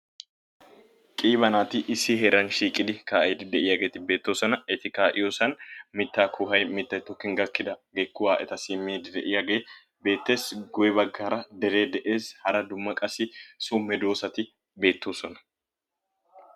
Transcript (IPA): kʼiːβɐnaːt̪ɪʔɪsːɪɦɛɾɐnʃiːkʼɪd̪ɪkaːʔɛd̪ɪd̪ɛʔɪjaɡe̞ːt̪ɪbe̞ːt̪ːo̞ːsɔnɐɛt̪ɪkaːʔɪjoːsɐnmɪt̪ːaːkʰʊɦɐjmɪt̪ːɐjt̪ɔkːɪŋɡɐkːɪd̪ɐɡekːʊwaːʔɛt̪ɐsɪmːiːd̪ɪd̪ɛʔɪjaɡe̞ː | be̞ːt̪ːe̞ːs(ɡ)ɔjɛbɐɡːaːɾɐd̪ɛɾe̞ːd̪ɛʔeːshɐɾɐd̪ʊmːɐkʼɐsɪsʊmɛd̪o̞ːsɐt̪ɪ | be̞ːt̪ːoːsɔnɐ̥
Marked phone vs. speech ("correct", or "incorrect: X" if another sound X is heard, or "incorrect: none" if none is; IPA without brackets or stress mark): correct